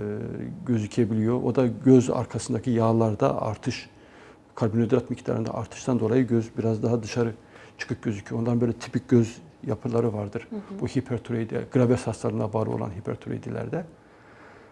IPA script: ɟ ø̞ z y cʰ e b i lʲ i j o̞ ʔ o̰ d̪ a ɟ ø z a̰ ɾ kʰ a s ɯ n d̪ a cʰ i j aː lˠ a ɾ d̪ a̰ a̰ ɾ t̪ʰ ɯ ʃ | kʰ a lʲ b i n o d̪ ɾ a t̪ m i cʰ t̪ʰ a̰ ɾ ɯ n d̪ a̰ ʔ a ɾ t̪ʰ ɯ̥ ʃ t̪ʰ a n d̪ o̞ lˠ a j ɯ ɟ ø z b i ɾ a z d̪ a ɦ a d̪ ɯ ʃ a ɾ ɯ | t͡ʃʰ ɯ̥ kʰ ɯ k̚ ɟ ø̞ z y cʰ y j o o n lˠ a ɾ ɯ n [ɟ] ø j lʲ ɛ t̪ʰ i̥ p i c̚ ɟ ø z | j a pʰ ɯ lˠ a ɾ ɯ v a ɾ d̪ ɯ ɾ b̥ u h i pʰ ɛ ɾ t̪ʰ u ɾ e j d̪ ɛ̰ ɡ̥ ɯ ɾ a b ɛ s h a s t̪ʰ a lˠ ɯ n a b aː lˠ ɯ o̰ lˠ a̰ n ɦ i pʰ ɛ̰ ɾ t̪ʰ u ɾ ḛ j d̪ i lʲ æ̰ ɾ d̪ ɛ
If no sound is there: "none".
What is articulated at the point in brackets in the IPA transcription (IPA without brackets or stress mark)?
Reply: b